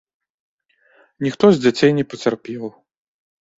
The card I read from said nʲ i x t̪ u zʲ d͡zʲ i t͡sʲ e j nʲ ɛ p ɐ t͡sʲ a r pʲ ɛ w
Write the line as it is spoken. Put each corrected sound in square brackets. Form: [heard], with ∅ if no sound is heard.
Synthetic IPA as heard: nʲ i x t̪ [ɔ] zʲ d͡zʲ [a] t͡sʲ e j nʲ ɛ p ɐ t͡sʲ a r pʲ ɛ w